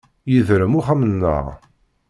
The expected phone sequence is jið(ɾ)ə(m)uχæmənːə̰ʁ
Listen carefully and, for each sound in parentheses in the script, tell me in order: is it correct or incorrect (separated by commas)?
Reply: correct, correct